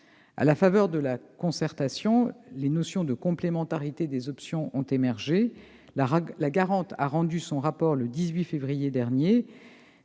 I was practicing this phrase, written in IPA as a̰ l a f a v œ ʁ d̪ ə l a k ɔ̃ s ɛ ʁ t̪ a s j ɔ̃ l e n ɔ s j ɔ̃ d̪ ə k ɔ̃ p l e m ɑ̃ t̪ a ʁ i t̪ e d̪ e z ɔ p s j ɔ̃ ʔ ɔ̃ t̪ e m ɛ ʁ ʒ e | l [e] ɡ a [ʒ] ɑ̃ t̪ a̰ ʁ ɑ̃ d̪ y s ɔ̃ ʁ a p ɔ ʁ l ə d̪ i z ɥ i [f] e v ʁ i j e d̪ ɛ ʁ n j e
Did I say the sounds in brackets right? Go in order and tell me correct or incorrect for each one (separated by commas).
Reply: incorrect, incorrect, correct